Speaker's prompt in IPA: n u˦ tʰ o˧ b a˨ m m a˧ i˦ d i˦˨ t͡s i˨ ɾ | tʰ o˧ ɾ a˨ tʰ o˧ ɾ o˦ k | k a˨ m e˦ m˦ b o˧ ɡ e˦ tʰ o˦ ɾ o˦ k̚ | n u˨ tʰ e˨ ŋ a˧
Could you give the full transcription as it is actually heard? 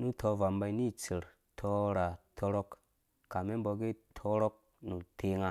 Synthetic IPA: n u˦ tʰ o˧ v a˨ m b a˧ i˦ n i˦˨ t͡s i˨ ɾ | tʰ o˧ ɾ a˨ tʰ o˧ ɾ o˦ k | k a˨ m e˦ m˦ b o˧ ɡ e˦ tʰ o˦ ɾ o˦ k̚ | n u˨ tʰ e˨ ŋ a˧